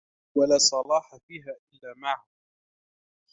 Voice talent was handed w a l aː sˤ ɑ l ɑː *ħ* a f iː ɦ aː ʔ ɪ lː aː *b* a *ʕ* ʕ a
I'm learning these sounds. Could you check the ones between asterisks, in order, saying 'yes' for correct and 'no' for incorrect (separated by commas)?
yes, no, yes